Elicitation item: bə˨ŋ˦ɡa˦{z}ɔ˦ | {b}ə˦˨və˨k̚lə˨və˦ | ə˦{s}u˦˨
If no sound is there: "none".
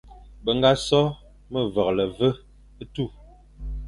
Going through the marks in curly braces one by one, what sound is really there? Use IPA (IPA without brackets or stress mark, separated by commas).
s, m, t